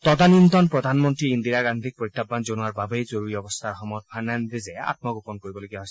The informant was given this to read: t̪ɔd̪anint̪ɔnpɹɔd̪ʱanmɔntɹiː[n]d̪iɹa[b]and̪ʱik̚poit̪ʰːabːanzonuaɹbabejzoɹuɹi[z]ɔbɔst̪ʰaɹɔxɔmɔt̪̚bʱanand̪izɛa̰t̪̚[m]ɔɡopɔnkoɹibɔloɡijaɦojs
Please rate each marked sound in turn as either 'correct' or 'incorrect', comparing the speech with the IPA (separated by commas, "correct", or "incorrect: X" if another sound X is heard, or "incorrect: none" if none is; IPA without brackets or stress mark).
correct, incorrect: ɡ, incorrect: none, correct